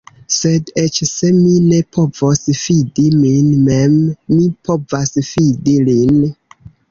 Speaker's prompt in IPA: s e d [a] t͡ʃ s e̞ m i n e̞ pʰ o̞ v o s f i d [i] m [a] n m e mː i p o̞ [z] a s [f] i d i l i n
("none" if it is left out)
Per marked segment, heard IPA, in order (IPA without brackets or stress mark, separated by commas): e, i, i, v, f